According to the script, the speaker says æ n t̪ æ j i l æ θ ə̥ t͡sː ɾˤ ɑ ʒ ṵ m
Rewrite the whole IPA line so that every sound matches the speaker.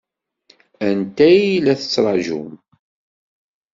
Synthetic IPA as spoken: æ n t̪ æ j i l æ θ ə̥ t͡sː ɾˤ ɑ ʒ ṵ m